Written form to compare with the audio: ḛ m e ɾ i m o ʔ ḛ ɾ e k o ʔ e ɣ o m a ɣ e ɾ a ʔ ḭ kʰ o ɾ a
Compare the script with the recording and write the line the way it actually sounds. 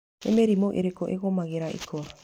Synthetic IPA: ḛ m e ɾ i m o ʔ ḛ ɾ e k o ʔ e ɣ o m a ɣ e ɾ a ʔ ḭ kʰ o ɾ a